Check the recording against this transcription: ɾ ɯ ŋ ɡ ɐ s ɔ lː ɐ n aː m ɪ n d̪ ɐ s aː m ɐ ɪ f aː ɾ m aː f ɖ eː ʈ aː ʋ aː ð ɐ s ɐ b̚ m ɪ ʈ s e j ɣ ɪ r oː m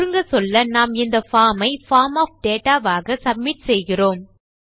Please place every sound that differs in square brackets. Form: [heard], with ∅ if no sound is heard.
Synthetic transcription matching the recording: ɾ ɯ ŋ ɡ ɐ s ɔ lː ɐ n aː m ɪ n d̪ ɐ [f] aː m ɐ ɪ f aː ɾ m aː f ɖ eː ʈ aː ʋ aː [ɣ] ɐ s ɐ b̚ m ɪ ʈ s [ɛ] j ɣ ɪ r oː m